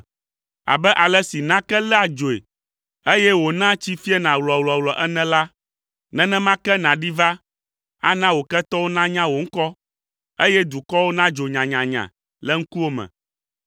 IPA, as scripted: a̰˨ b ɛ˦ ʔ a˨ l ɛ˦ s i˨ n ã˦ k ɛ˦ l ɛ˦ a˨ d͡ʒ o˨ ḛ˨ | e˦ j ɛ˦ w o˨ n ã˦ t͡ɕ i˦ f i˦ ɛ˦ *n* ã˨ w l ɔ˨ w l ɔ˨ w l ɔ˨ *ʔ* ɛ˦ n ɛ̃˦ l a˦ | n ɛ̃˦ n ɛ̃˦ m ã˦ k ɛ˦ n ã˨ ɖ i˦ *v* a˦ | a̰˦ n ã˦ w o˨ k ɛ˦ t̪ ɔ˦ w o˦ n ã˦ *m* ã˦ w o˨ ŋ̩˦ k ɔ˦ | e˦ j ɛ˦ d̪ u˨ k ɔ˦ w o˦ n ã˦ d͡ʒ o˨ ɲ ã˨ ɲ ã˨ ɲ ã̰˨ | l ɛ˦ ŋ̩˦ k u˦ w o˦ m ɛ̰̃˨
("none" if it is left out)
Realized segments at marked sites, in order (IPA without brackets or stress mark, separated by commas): n, ʔ, v, ɲ